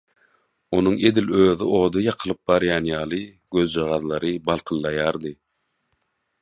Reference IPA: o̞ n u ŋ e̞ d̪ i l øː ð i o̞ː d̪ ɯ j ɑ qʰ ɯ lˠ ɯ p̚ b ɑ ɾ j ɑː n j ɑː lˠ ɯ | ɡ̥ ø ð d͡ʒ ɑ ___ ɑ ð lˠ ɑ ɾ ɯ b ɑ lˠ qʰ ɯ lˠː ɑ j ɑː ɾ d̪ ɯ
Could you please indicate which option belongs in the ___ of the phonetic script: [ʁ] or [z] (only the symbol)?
ʁ